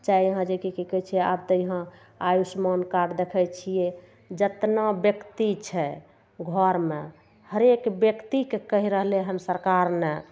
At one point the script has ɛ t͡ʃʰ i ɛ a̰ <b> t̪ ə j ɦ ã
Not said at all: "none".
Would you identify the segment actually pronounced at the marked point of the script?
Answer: b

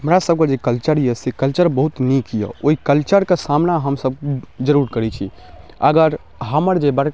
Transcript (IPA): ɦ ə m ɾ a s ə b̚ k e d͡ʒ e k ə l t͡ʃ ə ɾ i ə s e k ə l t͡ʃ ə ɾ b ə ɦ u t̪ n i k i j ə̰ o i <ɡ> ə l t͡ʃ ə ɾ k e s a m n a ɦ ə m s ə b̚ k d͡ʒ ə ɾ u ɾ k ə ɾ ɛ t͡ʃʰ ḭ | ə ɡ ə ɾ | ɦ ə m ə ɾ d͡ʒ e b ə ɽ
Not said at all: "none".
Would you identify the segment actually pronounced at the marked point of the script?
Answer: k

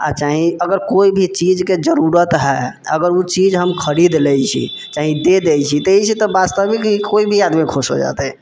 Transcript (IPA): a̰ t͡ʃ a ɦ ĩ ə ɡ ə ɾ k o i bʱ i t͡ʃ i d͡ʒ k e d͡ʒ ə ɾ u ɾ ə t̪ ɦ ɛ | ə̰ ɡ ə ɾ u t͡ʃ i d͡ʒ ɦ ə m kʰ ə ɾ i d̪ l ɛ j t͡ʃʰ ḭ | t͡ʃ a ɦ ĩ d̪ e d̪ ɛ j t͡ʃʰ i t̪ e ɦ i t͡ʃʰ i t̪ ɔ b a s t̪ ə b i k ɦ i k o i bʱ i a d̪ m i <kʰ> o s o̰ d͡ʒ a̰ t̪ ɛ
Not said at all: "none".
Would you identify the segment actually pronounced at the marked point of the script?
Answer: kʰ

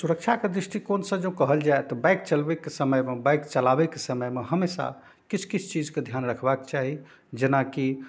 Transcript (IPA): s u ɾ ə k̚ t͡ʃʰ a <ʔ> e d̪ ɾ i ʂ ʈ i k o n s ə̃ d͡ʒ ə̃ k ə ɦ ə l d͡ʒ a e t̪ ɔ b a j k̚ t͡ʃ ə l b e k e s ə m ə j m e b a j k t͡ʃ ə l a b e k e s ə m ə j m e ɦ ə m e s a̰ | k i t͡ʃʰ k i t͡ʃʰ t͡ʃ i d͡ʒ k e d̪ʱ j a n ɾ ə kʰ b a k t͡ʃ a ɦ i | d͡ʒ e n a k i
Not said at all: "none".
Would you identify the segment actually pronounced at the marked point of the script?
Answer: k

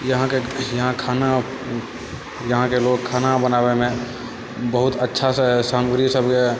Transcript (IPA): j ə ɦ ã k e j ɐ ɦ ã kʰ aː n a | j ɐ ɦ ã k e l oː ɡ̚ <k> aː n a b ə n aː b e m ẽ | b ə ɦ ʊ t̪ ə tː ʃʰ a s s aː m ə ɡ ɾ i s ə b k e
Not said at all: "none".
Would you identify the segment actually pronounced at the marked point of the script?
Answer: kʰ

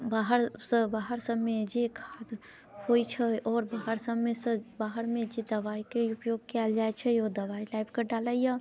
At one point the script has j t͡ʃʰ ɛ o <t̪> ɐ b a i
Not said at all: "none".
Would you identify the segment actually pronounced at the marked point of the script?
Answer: d̪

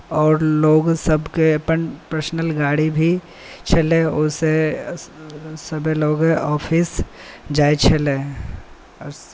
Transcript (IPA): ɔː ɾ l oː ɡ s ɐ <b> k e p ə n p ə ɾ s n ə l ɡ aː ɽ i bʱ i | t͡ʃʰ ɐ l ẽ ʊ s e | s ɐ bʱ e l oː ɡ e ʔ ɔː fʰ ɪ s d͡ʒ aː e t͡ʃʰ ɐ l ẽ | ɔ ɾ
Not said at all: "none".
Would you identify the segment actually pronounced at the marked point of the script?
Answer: b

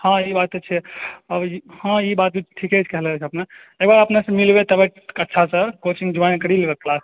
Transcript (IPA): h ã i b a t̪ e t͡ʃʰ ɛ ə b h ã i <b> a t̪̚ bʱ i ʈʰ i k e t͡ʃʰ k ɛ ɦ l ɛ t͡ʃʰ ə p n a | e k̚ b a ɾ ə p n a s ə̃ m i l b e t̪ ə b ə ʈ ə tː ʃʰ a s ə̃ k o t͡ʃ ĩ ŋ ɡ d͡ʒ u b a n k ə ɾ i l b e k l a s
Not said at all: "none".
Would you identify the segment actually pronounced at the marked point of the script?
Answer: b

